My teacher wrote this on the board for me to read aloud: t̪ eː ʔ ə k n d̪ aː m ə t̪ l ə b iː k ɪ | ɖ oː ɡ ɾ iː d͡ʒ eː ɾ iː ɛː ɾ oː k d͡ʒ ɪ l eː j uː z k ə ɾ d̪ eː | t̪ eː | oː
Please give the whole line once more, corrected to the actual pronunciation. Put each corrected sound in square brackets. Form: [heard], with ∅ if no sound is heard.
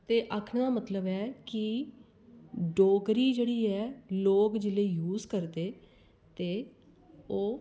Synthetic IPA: t̪ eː ʔ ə [kʰ] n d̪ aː m ə t̪ l ə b [ɛː] k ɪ | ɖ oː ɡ ɾ iː d͡ʒ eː [ɽ] iː ɛː [l] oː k d͡ʒ ɪ l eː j uː z k ə ɾ d̪ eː | t̪ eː | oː